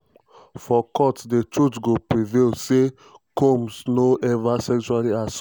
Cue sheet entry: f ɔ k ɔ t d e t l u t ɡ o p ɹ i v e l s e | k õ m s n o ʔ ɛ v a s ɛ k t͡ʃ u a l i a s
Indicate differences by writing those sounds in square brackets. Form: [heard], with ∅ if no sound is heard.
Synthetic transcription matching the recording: f ɔ k ɔ t d e t [ɹ] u t ɡ o p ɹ i v e l s e | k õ m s n o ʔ ɛ v a s ɛ k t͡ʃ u a l i a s